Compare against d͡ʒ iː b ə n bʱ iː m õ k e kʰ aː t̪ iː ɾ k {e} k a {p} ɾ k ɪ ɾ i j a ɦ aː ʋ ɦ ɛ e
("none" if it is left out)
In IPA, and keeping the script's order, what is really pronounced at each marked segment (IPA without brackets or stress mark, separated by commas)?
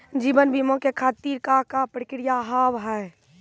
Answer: a, p